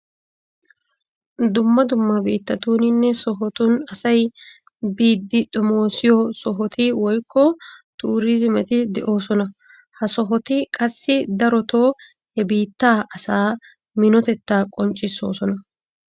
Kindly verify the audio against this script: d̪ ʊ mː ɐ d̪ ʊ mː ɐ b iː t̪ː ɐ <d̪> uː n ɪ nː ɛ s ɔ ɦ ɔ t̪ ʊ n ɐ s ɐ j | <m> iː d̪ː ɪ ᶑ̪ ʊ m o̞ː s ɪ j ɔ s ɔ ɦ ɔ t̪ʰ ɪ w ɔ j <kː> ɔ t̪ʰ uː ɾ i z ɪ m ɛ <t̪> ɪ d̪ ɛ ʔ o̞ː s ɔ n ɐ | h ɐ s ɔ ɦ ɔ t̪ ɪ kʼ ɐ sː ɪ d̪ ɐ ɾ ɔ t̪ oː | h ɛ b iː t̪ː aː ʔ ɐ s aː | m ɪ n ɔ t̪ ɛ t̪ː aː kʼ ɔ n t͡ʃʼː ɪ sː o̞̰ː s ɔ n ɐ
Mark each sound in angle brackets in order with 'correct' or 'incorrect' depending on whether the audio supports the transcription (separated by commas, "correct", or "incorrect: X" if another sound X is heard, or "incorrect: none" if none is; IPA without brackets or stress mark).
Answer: incorrect: t̪, incorrect: b, correct, correct